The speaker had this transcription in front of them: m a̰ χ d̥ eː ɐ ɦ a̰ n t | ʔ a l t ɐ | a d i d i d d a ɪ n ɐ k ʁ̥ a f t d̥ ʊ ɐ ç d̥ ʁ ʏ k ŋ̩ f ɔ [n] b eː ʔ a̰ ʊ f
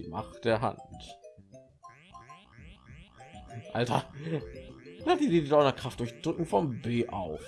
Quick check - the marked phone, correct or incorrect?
incorrect